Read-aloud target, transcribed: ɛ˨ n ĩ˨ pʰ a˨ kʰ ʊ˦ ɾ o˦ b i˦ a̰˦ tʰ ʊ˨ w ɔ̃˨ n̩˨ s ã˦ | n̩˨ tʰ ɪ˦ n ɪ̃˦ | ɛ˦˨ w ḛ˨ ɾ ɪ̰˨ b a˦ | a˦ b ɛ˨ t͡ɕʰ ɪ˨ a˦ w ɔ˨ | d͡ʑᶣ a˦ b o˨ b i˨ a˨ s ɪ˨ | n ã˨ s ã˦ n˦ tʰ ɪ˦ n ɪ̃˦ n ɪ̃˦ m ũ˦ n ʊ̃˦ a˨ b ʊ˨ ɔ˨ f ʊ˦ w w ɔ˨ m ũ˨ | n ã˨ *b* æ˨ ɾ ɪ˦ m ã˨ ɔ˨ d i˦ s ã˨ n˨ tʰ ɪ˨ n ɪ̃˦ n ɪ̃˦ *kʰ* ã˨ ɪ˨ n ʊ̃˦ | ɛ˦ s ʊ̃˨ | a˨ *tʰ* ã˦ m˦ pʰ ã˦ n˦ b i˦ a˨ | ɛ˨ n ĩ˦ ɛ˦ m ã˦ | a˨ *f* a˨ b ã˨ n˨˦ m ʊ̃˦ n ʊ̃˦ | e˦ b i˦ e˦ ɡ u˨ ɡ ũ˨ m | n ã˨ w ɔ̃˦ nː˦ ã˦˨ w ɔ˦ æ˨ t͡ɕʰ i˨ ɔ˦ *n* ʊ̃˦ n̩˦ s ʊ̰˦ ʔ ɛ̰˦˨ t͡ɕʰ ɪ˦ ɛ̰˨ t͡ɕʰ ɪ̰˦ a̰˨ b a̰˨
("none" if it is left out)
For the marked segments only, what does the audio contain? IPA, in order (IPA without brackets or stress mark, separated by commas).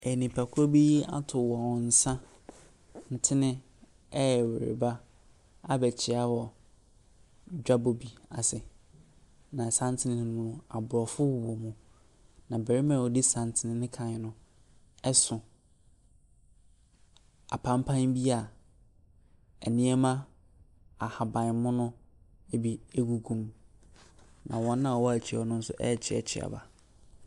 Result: b, kʰ, pʰ, h, n